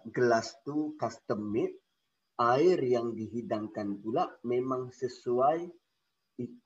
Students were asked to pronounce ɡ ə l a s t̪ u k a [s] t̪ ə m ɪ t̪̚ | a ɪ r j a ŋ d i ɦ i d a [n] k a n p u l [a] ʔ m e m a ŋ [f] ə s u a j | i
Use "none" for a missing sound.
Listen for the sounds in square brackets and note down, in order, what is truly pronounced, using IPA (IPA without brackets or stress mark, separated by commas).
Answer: s, ŋ, a, s